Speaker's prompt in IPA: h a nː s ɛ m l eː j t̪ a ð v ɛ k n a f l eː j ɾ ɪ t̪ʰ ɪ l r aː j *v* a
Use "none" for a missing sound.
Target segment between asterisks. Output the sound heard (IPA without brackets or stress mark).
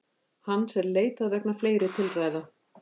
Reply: ð